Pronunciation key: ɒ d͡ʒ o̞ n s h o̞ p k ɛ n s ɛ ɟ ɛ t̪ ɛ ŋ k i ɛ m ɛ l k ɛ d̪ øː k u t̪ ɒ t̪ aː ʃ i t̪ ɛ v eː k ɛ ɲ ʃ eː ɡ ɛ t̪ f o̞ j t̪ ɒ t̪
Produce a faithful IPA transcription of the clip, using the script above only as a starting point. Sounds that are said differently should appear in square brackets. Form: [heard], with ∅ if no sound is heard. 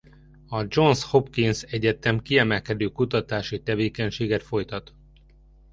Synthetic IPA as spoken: ɒ d͡ʒ o̞ n s h o̞ p k [i] n s ɛ ɟ ɛ t̪ ɛ [m] k i ɛ m ɛ l k ɛ d̪ øː k u t̪ ɒ t̪ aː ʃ i t̪ ɛ v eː k ɛ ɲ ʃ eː ɡ ɛ t̪ f o̞ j t̪ ɒ t̪